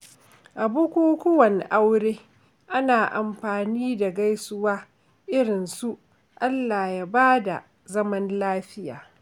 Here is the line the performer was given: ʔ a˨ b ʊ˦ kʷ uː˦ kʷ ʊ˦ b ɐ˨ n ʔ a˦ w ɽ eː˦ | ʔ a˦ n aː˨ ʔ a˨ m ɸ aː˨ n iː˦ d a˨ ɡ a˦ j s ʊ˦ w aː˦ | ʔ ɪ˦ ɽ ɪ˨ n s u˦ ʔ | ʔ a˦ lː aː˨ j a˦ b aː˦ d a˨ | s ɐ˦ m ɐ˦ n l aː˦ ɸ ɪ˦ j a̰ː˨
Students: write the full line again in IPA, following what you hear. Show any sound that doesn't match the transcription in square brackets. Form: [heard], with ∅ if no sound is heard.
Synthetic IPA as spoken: ʔ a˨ b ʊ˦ kʷ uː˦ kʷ ʊ˦ [w] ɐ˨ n ʔ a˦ w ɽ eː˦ | ʔ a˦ n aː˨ ʔ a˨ m ɸ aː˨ n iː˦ d a˨ ɡ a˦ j s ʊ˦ w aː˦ | ʔ ɪ˦ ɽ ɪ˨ n s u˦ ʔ | ʔ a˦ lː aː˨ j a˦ b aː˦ d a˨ | [z] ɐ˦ m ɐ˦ n l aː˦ ɸ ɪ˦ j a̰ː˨